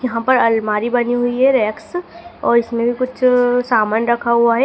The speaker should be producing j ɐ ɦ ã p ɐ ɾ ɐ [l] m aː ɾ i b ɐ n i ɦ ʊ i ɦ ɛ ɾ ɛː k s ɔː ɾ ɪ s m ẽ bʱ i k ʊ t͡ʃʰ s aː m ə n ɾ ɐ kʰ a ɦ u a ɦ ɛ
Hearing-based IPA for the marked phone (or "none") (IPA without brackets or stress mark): l